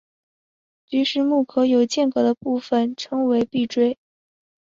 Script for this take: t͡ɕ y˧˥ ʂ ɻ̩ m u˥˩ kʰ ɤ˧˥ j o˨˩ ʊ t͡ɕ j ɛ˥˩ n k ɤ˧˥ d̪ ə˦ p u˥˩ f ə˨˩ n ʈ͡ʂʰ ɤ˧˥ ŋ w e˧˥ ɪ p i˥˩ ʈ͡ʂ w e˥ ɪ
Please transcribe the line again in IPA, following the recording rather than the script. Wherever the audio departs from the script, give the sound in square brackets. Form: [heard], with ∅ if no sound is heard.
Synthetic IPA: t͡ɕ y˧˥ ʂ ɻ̩ m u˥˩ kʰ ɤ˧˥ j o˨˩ ʊ t͡ɕ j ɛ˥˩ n k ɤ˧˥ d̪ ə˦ p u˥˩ f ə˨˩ n ʈ͡ʂʰ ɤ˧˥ ŋ w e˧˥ ɪ p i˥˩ ʈ͡ʂ w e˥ ɪ